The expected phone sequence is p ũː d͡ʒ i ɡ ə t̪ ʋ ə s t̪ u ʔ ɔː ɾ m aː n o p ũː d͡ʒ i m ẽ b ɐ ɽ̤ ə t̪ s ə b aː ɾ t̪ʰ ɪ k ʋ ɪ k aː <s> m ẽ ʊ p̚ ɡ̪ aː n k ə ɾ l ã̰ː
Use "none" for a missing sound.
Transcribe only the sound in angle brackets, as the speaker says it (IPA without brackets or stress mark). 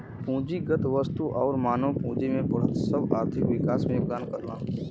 s